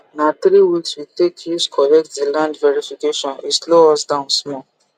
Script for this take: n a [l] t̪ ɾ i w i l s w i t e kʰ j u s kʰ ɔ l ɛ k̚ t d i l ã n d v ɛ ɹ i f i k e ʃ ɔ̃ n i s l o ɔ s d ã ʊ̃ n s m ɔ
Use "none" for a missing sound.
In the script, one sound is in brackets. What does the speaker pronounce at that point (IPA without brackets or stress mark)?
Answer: none